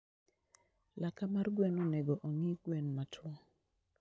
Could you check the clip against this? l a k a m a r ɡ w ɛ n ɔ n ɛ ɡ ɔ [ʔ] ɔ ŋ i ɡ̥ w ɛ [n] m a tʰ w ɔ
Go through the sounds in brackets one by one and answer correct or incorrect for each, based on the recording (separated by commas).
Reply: correct, correct